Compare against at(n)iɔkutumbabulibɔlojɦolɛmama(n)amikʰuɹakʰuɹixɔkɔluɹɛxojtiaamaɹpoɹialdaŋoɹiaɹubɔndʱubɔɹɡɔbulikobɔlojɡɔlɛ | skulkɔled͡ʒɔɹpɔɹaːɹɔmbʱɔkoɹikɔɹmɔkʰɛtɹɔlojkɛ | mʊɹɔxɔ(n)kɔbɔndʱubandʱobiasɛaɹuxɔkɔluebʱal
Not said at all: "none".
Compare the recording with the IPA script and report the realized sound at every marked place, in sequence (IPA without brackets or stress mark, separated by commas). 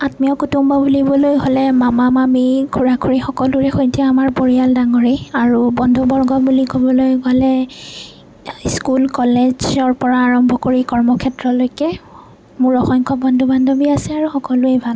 m, m, ŋ